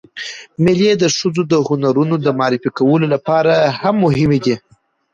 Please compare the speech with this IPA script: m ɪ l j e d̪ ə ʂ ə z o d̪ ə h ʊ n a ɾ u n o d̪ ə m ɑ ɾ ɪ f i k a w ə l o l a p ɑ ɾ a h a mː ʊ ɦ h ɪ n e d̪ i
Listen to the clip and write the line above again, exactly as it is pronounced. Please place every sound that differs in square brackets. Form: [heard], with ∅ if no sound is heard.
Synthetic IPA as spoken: m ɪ l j e d̪ ə ʂ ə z o d̪ ə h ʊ n a ɾ u n o d̪ ə m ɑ ɾ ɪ f i k a w ə l o l a p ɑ ɾ a h a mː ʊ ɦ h ɪ [m] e d̪ i